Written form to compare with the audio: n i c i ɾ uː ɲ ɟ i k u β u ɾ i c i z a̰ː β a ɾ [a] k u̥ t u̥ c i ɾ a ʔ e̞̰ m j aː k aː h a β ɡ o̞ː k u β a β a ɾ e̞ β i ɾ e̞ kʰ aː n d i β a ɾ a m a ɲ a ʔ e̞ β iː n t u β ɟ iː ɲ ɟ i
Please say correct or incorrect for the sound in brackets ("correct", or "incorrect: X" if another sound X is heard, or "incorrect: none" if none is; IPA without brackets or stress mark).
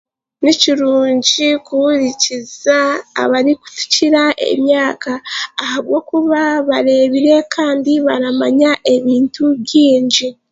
incorrect: i